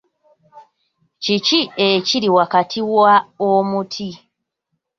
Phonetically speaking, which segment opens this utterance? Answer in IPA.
c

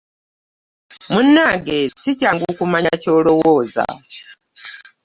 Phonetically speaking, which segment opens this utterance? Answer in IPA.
m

